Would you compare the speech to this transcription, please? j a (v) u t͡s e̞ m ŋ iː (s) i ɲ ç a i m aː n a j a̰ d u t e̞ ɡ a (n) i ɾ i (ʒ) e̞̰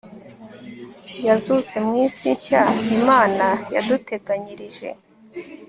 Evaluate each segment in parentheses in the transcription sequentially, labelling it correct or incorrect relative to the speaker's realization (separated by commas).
incorrect, correct, incorrect, correct